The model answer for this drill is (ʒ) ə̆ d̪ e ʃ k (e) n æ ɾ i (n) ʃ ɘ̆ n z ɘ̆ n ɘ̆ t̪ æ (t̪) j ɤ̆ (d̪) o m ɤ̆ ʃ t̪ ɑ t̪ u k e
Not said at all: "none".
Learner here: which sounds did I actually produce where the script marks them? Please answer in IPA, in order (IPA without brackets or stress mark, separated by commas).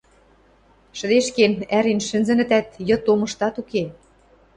ʃ, e, n, t̪, t̪